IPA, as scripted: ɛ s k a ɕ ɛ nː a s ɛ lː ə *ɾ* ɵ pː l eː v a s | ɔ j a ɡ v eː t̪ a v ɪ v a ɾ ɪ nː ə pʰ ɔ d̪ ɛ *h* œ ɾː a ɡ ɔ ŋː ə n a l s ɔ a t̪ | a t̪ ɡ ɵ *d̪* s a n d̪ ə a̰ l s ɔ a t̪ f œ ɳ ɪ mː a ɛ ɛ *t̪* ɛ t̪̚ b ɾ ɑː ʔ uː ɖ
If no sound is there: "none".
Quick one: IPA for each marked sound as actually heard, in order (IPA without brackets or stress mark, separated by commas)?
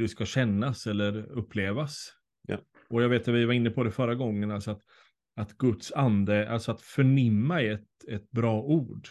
ɾ, f, t̪, t̪